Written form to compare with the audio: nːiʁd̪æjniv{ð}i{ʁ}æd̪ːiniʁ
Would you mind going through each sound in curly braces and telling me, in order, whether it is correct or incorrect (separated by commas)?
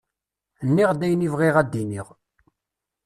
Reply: incorrect, correct